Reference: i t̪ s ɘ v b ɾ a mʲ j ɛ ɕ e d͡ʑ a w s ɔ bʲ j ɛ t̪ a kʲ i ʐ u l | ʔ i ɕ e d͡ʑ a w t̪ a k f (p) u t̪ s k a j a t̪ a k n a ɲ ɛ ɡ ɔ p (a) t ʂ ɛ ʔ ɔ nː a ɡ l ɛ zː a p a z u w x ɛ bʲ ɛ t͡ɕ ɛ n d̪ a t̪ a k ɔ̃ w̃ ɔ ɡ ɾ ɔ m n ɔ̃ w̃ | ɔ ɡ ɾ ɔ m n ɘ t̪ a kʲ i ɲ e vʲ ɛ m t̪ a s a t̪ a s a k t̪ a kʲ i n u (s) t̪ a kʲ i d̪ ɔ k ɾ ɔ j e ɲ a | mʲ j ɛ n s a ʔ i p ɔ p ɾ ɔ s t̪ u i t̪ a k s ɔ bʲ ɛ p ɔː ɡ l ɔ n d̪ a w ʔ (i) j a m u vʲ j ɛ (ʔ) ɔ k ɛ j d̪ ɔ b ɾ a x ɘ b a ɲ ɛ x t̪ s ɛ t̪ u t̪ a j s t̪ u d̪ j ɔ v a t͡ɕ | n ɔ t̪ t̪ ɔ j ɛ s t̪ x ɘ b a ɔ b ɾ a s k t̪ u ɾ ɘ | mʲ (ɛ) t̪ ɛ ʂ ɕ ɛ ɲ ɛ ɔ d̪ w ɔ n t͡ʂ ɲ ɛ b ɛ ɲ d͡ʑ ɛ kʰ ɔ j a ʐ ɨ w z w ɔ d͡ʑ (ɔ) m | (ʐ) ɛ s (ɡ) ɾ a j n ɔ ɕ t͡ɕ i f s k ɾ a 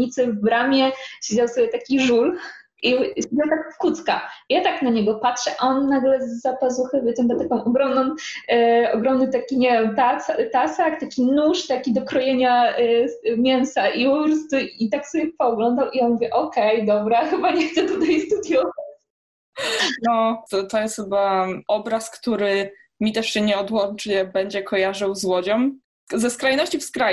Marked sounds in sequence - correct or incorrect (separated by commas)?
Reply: incorrect, correct, incorrect, correct, correct, incorrect, correct, incorrect, incorrect